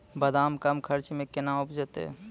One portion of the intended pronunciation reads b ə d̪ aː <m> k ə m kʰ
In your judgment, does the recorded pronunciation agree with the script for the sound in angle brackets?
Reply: yes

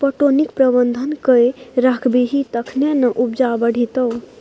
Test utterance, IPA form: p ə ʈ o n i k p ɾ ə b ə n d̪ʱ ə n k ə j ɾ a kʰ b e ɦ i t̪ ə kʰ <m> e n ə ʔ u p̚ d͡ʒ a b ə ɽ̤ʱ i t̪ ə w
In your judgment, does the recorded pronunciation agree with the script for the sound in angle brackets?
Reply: no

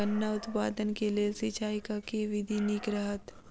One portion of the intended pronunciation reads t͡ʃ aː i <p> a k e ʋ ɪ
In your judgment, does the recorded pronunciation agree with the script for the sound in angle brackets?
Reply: no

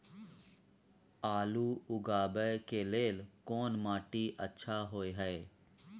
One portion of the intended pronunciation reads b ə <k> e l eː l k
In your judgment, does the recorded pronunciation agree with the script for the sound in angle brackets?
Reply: yes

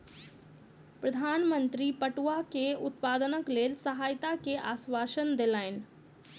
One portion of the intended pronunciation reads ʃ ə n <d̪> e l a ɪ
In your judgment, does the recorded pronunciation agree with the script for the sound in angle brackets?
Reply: yes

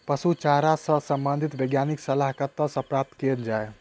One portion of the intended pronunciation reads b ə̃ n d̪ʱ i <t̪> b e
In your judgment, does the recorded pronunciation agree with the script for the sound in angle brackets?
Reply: yes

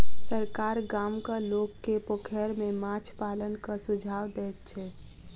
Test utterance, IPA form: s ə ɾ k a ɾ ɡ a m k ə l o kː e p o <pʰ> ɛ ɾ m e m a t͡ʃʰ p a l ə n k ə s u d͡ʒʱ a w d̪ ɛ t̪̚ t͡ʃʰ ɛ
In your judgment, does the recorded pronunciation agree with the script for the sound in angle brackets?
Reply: no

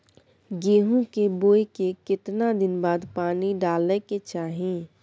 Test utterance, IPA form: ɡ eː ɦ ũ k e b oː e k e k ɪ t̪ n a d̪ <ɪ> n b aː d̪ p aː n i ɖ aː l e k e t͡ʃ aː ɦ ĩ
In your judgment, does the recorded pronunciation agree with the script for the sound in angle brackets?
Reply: yes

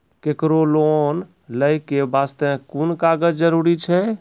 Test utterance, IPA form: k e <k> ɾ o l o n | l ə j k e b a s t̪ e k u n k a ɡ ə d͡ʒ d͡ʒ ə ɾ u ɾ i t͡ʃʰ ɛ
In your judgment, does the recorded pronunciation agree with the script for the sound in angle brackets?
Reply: yes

